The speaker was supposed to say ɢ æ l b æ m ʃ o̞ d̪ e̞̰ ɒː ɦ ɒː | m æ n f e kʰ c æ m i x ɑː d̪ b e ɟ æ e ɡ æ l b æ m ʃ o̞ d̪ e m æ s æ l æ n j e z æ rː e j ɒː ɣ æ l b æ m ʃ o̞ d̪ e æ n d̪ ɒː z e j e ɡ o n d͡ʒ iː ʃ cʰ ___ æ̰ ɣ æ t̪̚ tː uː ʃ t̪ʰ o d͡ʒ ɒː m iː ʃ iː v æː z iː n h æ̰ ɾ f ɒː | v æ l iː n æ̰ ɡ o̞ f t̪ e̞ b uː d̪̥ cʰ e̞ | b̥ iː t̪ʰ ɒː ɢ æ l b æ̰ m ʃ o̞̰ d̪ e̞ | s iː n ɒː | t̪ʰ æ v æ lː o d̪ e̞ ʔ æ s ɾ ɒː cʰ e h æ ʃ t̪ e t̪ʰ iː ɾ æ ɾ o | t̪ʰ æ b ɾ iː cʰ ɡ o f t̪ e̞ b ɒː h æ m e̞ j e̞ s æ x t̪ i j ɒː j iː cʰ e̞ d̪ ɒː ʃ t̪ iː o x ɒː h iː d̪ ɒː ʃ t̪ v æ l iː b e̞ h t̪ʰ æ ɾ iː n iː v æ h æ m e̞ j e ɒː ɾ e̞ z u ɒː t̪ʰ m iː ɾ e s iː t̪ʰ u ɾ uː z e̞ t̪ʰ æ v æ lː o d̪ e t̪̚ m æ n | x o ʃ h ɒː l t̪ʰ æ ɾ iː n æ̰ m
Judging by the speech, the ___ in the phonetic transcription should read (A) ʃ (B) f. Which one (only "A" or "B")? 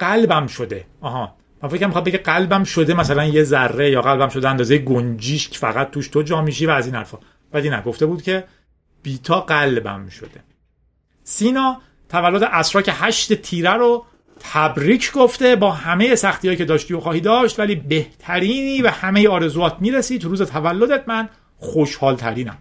B